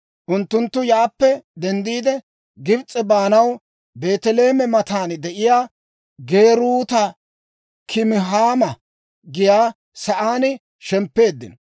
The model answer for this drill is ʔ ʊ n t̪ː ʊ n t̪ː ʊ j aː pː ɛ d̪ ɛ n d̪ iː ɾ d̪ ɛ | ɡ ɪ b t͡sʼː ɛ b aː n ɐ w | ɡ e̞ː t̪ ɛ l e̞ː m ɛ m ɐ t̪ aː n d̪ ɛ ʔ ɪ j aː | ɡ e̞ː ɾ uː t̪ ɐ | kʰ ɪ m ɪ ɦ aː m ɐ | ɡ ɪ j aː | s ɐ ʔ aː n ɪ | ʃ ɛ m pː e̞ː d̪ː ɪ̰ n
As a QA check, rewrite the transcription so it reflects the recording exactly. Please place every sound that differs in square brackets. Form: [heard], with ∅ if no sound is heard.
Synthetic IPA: ʔ ʊ n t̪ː ʊ n t̪ː ʊ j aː pː ɛ d̪ ɛ n d̪ iː [∅] d̪ ɛ | ɡ ɪ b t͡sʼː ɛ b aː n ɐ w | [b] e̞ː t̪ ɛ l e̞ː m ɛ m ɐ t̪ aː n d̪ ɛ ʔ ɪ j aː | ɡ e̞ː ɾ uː t̪ ɐ | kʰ ɪ m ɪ ɦ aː m ɐ | ɡ ɪ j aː | s ɐ ʔ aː n ɪ | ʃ ɛ m pː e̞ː d̪ː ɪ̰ n